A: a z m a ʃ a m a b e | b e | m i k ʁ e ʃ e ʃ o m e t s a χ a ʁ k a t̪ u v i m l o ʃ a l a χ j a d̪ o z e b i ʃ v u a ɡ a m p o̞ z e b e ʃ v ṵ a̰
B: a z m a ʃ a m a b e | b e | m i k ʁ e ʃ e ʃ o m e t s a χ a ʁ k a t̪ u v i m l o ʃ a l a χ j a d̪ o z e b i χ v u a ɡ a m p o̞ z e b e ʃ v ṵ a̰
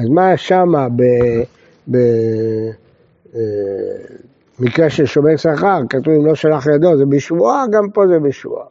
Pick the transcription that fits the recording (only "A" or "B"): A